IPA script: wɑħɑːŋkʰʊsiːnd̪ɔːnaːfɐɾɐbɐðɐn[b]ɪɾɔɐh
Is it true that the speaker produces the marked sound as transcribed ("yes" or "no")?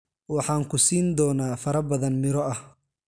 no